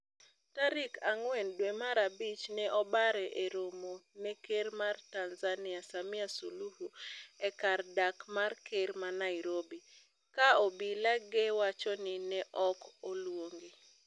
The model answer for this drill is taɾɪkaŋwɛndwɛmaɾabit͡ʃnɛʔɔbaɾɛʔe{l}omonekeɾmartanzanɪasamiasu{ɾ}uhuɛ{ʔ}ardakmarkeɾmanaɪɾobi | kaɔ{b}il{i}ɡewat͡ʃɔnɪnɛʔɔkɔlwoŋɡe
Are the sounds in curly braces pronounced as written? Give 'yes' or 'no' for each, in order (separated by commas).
no, no, no, yes, no